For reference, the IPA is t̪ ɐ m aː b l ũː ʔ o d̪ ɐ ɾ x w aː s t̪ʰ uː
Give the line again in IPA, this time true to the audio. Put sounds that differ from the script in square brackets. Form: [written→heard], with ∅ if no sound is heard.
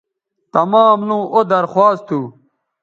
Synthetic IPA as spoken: t̪ ɐ m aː [b→m] l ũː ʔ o d̪ ɐ ɾ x w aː s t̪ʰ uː